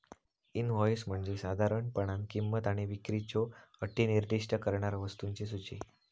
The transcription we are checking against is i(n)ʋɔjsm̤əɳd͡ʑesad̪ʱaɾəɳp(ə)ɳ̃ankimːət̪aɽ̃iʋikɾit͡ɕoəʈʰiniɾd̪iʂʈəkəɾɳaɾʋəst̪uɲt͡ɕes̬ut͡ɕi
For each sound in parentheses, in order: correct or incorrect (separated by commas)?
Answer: correct, correct